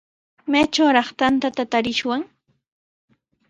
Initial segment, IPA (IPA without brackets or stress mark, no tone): m